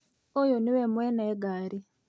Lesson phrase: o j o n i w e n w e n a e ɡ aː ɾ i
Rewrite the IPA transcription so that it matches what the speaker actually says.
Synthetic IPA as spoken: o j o n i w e m w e n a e ɡ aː ɾ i